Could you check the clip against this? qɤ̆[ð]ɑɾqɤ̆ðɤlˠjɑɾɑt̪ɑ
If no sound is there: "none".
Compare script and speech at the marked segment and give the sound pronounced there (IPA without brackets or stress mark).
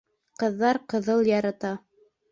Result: ðː